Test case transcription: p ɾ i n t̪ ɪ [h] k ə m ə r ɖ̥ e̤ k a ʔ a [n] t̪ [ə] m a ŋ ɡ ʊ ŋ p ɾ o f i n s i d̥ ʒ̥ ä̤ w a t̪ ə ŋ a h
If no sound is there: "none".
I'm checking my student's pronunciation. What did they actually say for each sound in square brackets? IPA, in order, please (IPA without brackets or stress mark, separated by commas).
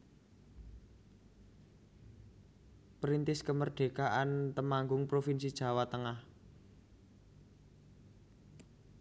s, n, ə